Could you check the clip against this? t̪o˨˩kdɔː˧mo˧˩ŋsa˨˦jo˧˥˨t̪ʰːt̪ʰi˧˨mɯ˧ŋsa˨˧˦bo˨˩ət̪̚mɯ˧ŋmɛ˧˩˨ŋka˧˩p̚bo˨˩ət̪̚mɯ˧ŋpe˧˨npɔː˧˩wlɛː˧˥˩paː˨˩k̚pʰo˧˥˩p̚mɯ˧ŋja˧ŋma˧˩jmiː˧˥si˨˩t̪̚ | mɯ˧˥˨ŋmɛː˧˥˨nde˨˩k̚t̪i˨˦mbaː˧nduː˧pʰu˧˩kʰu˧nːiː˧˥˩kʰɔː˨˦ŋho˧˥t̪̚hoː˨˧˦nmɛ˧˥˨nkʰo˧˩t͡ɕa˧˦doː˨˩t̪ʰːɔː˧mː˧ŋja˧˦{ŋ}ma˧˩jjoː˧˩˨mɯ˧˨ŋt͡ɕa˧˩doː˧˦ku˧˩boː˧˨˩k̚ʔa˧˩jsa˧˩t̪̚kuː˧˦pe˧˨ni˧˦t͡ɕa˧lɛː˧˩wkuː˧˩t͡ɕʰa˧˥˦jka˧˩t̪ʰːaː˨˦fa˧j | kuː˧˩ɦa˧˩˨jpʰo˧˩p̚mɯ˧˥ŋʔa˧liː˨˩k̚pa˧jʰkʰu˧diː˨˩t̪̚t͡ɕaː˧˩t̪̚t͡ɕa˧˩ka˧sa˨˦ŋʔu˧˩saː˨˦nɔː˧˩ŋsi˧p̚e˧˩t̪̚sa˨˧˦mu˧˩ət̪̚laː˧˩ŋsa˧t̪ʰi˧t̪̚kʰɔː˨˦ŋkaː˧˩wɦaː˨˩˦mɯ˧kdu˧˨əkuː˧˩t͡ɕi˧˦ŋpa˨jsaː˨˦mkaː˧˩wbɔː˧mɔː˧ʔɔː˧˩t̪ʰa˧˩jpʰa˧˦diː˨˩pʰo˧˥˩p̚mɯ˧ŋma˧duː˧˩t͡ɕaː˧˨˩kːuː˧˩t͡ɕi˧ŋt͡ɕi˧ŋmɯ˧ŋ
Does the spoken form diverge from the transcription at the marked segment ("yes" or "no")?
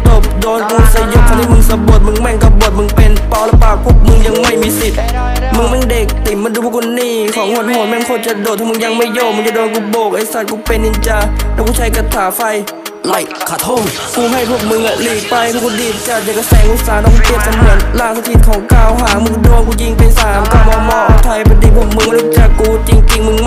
no